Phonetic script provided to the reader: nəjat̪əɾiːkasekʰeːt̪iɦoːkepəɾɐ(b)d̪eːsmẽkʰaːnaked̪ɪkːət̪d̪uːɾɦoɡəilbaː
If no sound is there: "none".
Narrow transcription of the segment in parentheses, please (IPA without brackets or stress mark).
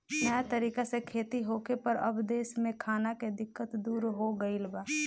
b